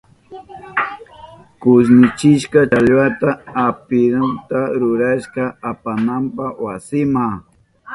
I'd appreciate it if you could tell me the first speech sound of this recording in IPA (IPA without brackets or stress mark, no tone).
k